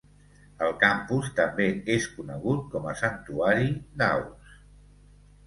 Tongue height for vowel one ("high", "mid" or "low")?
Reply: mid